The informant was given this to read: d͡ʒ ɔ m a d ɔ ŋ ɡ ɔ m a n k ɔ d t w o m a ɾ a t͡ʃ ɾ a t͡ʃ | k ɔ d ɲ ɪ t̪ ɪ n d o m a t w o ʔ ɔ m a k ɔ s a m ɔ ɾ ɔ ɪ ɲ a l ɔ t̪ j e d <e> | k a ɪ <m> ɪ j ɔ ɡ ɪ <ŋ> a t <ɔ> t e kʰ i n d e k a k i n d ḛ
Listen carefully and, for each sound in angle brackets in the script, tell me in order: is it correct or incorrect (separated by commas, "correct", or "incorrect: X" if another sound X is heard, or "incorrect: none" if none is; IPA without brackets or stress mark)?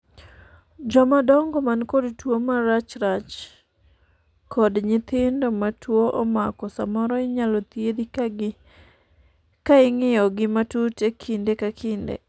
incorrect: i, incorrect: ŋ, incorrect: m, incorrect: u